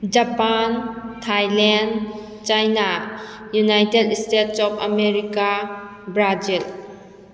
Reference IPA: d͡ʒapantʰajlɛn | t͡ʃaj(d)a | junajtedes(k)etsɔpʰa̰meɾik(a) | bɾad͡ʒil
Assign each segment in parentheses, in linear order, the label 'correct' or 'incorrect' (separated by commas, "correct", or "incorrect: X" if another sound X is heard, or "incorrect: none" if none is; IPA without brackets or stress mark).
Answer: incorrect: n, incorrect: t, correct